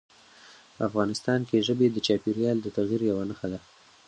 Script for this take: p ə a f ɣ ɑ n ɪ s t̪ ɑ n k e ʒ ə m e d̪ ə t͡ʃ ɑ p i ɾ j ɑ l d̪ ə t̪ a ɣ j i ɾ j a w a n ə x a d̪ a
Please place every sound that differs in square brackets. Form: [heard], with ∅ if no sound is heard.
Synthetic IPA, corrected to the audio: p ə a f ɣ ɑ n ɪ s t̪ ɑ n k e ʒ ə [b] e d̪ ə t͡ʃ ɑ p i ɾ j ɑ l d̪ ə t̪ a ɣ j i ɾ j a w a n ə x a d̪ a